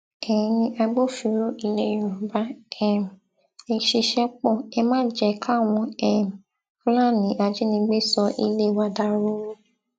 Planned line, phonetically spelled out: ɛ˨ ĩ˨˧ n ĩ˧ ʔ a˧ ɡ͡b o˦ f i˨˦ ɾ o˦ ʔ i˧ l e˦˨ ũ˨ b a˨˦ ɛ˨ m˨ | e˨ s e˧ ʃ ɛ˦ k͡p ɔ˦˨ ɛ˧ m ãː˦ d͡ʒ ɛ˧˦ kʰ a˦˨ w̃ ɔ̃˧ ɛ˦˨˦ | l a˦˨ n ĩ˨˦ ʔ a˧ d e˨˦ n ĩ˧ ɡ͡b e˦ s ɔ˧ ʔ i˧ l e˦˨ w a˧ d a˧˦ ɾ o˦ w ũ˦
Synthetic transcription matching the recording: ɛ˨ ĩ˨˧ n ĩ˧ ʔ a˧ ɡ͡b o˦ f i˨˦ ɾ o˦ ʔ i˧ l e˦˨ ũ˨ b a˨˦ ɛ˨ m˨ | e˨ ʃ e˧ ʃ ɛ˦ k͡p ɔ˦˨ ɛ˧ m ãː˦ d͡ʒ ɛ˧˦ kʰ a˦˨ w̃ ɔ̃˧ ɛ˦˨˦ | l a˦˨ n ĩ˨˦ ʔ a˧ d͡ʒ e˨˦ n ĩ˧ ɡ͡b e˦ s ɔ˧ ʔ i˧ l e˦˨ w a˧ d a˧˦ ɾ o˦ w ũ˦